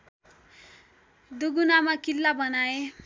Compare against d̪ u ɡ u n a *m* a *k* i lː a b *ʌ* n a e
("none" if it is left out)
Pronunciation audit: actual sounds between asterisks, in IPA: m, k, ʌ

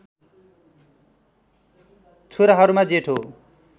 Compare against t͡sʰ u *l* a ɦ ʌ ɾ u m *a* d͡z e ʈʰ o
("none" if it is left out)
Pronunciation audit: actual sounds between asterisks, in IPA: ɾ, a

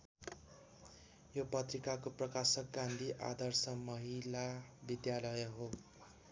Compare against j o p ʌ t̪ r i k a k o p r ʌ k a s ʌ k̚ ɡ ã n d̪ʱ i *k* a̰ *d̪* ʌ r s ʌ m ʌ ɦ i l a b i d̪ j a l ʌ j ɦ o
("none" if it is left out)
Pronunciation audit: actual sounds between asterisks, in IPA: ʔ, d̪

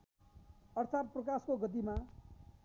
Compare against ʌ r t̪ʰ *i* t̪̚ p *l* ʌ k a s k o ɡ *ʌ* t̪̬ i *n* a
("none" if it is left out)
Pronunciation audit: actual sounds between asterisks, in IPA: a, r, ʌ, m

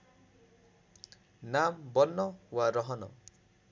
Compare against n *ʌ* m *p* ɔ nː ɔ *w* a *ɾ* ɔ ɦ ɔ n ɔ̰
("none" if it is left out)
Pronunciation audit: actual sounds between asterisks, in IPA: a, b, w, ɾ

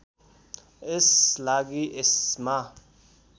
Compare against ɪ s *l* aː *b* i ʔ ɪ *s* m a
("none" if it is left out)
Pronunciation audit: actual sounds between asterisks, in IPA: l, ɡ, s

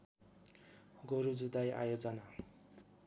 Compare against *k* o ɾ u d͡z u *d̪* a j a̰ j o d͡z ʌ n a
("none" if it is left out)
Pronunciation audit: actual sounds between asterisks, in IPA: ɡ, d̪

